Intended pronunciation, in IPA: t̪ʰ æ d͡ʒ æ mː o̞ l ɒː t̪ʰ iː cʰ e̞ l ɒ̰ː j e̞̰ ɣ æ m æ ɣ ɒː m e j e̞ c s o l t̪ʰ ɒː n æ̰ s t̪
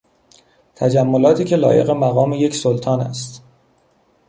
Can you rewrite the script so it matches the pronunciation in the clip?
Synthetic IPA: t̪ʰ æ d͡ʒ æ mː o̞ l ɒː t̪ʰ iː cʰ e̞ l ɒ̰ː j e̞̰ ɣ e m æ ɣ ɒː m e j e̞ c s o l t̪ʰ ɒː n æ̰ s t̪